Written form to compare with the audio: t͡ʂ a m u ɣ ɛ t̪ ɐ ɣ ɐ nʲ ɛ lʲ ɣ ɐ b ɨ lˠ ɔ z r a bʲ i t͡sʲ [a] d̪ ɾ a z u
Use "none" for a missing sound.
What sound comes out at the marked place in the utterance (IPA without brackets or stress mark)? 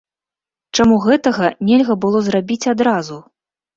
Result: a